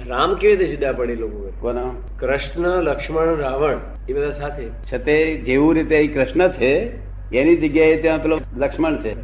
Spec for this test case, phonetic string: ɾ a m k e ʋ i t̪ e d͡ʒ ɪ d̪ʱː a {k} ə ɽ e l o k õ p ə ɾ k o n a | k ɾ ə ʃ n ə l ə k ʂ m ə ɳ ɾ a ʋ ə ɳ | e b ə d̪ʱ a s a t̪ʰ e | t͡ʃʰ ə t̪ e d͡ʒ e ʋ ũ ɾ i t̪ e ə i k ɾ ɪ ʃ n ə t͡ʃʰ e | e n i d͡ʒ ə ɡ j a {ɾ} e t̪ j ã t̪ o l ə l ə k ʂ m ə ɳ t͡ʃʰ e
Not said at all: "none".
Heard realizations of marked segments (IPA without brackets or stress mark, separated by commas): p, none